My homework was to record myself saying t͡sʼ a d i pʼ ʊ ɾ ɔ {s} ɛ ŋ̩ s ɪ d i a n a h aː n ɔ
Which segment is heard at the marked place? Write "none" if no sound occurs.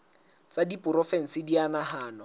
f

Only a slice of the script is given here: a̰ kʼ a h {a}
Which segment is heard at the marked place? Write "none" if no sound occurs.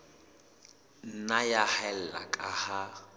a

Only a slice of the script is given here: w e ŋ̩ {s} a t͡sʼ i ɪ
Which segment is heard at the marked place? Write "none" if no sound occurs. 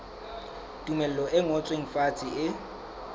f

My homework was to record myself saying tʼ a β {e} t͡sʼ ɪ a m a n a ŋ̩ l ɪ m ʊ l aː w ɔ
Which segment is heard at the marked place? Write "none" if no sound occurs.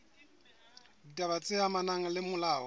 a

